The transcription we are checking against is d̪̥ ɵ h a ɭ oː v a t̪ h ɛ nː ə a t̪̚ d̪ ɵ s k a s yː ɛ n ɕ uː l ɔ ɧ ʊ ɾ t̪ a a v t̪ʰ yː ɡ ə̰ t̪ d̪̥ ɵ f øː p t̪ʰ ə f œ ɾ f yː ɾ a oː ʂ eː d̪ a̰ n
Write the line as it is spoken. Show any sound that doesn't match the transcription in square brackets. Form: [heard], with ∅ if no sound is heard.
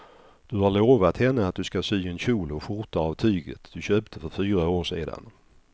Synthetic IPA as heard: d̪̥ ɵ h a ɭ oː v a t̪ h ɛ nː ə a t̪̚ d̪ ɵ s k a s yː ɛ n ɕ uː l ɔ ɧ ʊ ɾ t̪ a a v t̪ʰ yː ɡ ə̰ t̪ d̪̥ ɵ [ɕ] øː p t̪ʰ ə f œ ɾ f yː ɾ a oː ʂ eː d̪ a̰ n